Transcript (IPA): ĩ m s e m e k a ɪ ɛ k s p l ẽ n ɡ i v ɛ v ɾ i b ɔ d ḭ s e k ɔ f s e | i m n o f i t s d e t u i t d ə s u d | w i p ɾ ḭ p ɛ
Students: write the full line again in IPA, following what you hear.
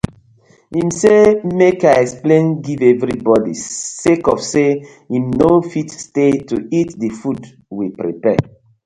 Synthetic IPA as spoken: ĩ m s e m e k a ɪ ɛ k s p l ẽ n ɡ i v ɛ v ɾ i b ɔ d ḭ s e k ɔ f s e | i m n o f i t s t e t u i t d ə f u d | w i p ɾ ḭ p ɛ